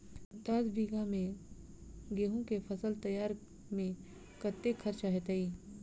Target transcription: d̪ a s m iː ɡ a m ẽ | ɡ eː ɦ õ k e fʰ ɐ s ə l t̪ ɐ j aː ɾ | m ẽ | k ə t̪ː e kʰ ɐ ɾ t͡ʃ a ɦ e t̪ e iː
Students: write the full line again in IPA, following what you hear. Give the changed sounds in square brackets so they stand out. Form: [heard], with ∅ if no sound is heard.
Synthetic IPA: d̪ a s [b] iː ɡ a m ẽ | ɡ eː ɦ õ k e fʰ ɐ s ə l t̪ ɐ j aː ɾ | m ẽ | k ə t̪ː e kʰ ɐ ɾ t͡ʃ a ɦ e t̪ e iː